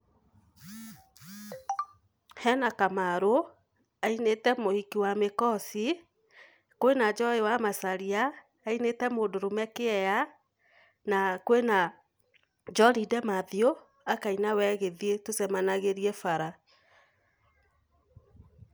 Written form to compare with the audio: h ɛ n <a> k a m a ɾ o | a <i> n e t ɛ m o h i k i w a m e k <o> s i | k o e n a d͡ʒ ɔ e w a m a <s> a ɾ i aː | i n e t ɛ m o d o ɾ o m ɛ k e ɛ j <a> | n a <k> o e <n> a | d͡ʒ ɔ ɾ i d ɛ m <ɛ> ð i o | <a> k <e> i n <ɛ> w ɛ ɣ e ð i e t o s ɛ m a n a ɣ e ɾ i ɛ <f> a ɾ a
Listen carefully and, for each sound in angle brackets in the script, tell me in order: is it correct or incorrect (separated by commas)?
correct, correct, incorrect, correct, correct, correct, correct, incorrect, correct, incorrect, incorrect, correct